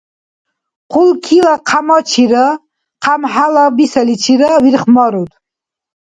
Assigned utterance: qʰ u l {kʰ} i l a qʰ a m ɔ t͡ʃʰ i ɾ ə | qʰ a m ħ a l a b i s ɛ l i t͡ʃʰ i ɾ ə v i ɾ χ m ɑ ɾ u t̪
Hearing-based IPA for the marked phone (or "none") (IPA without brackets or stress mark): kʰ